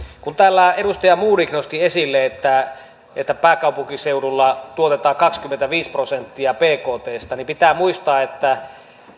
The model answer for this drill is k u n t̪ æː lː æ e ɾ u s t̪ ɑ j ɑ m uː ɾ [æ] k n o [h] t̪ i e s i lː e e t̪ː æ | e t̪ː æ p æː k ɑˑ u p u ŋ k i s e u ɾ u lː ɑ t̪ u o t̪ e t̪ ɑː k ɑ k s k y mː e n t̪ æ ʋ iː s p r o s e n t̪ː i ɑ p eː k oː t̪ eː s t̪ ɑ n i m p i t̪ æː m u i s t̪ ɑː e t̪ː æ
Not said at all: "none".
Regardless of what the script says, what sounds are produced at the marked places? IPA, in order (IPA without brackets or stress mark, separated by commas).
i, s